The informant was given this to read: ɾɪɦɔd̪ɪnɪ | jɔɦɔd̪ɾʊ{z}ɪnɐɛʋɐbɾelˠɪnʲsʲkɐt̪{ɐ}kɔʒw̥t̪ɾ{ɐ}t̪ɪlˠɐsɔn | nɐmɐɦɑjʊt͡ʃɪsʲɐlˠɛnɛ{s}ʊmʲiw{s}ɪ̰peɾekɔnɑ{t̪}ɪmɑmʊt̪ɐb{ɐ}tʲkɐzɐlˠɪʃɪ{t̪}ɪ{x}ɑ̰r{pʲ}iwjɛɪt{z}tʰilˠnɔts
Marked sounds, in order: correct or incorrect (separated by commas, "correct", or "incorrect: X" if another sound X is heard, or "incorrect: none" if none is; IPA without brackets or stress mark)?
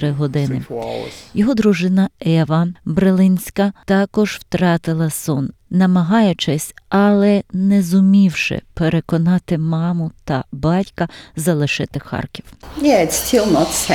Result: incorrect: ʒ, incorrect: ɑ, incorrect: ɑ, incorrect: z, incorrect: ʃ, correct, incorrect: ɑ, correct, correct, incorrect: kʲ, incorrect: s